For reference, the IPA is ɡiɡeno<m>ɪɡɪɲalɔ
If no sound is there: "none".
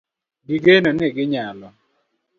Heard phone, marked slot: n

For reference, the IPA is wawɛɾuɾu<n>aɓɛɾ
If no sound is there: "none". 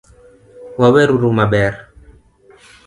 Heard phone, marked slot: m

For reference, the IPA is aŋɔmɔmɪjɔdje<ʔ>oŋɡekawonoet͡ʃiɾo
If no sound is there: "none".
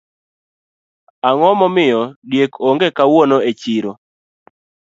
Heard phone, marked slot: k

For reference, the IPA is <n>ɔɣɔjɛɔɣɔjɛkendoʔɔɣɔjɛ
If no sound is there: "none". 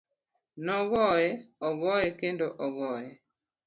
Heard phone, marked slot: n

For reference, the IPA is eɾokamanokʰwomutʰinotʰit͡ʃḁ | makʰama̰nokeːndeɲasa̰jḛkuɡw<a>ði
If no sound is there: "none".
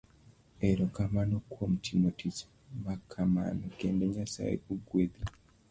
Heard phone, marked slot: e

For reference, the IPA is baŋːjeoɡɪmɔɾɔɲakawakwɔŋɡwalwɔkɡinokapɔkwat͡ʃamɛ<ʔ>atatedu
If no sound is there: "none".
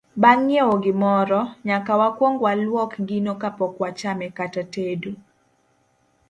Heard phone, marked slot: k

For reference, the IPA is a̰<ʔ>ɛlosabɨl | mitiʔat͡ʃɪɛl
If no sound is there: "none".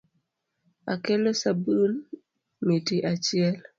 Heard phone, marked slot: k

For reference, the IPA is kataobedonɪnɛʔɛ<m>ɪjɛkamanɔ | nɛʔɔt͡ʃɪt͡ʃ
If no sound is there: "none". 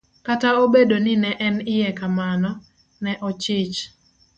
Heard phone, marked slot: n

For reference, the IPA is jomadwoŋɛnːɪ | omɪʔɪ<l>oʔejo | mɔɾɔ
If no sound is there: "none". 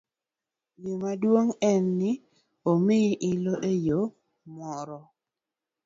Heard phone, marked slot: l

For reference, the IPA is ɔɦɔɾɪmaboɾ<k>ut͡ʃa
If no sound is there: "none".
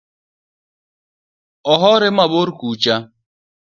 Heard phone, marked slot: k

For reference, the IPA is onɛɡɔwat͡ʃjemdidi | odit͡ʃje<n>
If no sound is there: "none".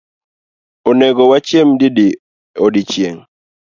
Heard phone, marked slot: ŋ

